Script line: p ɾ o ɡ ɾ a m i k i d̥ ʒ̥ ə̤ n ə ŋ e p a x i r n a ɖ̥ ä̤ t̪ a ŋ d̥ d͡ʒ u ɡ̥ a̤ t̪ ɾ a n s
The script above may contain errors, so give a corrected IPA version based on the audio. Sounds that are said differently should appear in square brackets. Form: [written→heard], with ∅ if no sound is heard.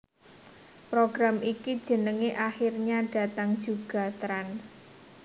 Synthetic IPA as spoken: p ɾ o ɡ ɾ a m i k i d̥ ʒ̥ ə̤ n ə ŋ e [p→ʔ] a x i r [n→ɲ] a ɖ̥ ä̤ t̪ a ŋ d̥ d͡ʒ u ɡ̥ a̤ t̪ ɾ a n s